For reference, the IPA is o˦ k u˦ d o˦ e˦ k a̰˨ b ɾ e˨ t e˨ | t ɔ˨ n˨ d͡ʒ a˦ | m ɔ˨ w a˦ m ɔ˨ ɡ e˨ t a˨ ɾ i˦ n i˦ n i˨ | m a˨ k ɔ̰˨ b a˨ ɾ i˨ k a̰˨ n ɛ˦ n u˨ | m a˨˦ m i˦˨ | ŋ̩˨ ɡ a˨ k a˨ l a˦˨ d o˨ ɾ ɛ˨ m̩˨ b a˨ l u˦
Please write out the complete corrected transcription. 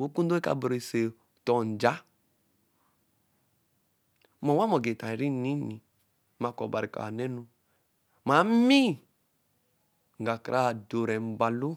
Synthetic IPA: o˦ k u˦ d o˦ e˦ k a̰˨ b ɾ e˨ s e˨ | t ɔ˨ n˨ d͡ʒ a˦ | m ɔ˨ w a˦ m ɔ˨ ɡ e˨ t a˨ ɾ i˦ n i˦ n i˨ | m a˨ k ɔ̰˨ b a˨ ɾ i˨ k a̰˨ n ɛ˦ n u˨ | m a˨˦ m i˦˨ | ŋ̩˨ ɡ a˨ k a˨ ɾ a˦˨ d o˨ ɾ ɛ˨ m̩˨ b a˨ l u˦